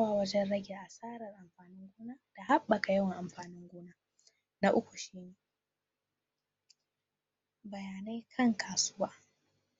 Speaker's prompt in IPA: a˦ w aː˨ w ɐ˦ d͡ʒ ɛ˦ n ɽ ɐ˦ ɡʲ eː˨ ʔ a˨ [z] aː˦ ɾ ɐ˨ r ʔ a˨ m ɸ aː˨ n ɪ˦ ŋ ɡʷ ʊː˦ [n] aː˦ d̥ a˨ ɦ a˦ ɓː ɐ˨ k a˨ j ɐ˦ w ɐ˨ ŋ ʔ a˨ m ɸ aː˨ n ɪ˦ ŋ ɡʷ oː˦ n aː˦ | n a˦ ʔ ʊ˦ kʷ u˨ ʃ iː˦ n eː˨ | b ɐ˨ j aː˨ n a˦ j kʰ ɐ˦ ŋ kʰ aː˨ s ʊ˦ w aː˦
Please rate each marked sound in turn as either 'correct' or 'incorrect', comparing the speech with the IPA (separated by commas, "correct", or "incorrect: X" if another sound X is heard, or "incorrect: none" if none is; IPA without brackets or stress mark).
incorrect: s, correct